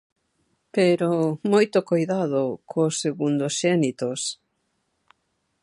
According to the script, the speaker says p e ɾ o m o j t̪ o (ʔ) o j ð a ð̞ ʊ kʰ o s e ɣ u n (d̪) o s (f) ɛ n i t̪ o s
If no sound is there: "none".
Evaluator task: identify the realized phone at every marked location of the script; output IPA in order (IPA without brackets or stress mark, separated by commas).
k, d̪, ʃ